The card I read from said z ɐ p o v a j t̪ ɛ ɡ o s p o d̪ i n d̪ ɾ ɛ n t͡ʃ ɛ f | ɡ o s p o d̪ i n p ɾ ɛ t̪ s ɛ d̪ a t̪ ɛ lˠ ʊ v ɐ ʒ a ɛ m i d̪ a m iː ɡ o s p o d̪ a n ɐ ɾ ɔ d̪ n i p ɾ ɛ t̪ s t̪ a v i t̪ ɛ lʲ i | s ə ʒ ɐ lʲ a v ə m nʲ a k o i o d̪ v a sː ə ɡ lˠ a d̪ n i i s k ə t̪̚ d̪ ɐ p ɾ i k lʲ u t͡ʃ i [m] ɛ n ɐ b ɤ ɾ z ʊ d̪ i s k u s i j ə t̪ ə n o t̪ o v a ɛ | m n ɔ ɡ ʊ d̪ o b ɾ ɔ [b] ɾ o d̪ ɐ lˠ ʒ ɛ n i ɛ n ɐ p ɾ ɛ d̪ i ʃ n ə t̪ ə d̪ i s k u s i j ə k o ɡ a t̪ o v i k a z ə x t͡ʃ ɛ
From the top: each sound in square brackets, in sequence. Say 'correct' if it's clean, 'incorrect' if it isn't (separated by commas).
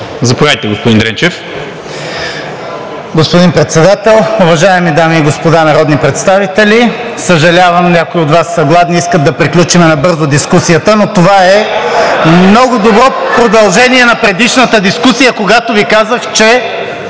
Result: correct, incorrect